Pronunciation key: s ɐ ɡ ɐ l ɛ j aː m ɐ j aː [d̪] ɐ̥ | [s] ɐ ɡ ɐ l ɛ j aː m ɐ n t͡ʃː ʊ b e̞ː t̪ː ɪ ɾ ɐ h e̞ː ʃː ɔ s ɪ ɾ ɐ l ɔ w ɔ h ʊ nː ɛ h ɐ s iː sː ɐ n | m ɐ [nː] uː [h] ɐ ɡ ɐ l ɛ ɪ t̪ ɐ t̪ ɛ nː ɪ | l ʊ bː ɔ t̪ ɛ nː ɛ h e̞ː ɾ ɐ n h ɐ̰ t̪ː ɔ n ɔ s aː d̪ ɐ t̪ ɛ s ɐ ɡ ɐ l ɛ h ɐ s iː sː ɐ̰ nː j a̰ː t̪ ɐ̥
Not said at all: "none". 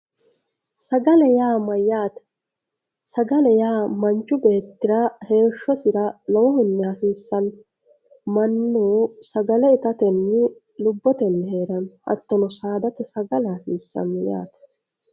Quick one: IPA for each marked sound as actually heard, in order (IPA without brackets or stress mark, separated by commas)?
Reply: t̪, s, nː, s